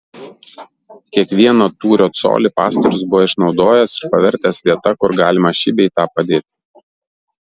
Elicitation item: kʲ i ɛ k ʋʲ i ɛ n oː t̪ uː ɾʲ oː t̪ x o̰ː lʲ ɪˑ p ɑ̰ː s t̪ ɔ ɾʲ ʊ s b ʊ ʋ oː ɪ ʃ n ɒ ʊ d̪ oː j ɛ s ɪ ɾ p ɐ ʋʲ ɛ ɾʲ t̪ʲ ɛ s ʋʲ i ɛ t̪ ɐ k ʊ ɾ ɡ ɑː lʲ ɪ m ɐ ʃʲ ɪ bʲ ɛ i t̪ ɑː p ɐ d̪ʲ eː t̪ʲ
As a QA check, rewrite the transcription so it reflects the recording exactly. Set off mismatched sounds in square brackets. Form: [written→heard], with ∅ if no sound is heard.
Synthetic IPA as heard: kʲ i ɛ k ʋʲ i ɛ n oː t̪ uː ɾʲ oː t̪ [x→s] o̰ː lʲ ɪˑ p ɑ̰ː s t̪ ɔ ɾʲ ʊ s b ʊ ʋ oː ɪ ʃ n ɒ ʊ d̪ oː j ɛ s ɪ ɾ p ɐ ʋʲ ɛ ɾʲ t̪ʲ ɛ s ʋʲ i ɛ t̪ ɐ k ʊ ɾ ɡ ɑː lʲ ɪ m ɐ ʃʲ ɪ bʲ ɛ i t̪ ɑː p ɐ d̪ʲ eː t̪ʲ